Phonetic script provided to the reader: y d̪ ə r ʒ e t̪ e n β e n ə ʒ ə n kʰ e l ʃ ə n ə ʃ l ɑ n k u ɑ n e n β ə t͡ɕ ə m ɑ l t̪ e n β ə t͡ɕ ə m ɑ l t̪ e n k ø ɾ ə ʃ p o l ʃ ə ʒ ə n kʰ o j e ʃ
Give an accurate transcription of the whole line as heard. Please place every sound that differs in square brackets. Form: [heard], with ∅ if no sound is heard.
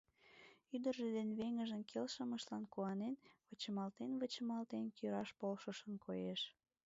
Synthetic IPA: y d̪ ə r ʒ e [d̪] e n β e [ŋ] ə ʒ ə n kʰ e l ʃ ə [m] ə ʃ l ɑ n k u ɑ n e n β ə t͡ɕ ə m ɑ l t̪ e n β ə t͡ɕ ə m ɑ l t̪ e n k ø ɾ [ɑ] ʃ p o l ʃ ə [ʃ] ə n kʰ o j e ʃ